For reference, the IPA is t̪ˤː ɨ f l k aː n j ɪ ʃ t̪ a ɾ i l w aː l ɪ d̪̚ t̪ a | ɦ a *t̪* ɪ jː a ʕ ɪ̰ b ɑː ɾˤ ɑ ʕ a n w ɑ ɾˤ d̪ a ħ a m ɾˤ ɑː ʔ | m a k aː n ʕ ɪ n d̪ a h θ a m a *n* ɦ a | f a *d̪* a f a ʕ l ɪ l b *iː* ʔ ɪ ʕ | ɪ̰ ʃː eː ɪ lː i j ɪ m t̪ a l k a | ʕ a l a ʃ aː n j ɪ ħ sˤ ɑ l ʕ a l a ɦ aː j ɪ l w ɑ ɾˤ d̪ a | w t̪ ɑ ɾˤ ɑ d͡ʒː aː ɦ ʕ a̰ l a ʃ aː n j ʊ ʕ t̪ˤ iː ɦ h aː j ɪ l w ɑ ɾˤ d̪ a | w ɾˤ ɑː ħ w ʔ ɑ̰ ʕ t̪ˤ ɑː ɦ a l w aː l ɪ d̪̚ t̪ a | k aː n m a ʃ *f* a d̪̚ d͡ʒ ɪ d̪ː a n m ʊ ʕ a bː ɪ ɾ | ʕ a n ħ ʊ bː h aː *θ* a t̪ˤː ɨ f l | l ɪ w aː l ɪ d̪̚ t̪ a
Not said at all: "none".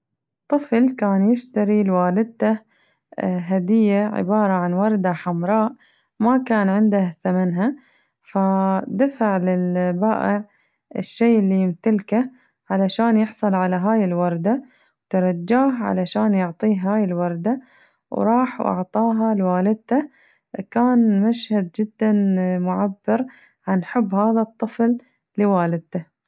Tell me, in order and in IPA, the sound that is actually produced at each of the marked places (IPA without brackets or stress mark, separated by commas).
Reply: d̪, n, d̪, aː, h, ð